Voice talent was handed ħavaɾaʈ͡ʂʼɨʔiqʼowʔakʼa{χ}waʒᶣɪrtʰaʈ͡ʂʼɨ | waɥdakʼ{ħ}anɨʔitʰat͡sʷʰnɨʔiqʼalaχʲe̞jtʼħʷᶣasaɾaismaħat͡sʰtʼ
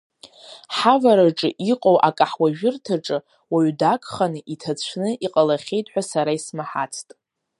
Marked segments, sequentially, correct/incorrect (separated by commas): incorrect, incorrect